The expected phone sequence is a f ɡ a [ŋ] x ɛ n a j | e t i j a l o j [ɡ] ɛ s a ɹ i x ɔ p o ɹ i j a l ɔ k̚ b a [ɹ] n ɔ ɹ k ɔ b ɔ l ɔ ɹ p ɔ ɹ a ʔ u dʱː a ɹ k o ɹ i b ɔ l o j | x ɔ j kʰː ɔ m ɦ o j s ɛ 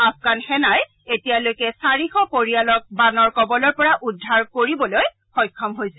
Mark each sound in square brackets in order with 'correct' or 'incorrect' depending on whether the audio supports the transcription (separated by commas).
incorrect, incorrect, incorrect